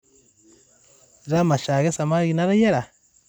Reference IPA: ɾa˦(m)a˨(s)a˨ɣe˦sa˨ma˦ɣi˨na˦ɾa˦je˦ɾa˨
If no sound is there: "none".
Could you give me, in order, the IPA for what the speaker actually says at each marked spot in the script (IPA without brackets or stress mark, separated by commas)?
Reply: m, ʃ